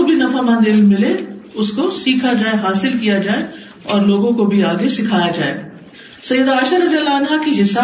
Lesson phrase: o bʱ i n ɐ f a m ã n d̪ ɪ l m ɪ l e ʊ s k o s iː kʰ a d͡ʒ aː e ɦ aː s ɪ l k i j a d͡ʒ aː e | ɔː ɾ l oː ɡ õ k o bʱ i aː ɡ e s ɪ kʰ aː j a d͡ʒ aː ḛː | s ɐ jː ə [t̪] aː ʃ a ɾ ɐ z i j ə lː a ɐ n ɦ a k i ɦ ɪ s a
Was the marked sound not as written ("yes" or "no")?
yes